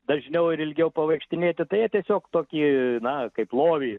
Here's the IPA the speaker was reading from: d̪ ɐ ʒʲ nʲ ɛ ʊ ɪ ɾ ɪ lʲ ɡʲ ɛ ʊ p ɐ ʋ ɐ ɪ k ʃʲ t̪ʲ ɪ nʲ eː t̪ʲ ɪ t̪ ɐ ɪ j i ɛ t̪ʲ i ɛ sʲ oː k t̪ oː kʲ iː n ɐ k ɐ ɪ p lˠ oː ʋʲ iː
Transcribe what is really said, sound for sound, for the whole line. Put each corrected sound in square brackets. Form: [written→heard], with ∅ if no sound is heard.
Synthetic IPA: d̪ ɐ ʒʲ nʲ ɛ ʊ ɪ ɾ ɪ lʲ ɡʲ ɛ ʊ p ɐ ʋ ɐ ɪ k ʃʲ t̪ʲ ɪ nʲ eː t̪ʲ ɪ t̪ ɐ ɪ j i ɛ t̪ʲ i ɛ sʲ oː k t̪ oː kʲ iː n ɐ k ɐ ɪ p lˠ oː ʋʲ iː